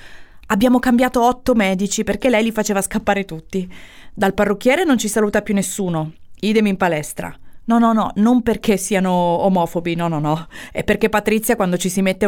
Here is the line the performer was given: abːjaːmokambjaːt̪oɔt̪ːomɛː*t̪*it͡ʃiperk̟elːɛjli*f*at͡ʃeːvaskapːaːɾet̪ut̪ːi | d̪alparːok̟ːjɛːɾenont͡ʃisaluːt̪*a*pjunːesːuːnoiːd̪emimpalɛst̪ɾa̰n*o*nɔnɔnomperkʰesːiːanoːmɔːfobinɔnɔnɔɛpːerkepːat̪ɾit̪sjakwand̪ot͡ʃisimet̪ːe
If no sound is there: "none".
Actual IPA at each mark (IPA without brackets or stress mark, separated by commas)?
d̪, f, a, ɔ